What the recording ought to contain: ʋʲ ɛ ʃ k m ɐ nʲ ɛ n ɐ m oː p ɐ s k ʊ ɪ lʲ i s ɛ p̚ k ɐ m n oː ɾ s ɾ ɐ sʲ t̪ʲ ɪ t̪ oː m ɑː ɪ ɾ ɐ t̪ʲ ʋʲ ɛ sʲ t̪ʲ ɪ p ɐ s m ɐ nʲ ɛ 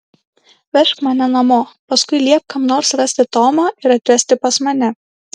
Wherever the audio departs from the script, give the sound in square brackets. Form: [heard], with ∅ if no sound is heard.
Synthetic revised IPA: ʋʲ ɛ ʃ k m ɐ nʲ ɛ n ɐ m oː p ɐ s k ʊ ɪ lʲ i [∅] ɛ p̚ k ɐ m n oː ɾ s ɾ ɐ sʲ t̪ʲ ɪ t̪ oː m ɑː ɪ ɾ ɐ t̪ʲ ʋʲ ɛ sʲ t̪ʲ ɪ p ɐ s m ɐ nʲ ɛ